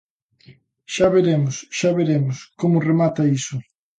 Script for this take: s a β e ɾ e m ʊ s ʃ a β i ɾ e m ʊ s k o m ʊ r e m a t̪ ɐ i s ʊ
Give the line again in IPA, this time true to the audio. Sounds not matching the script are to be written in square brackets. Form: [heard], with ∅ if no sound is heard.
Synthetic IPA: [ʃ] a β e ɾ e m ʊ s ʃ a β [e] ɾ e m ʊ s k o m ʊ r e m a t̪ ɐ i s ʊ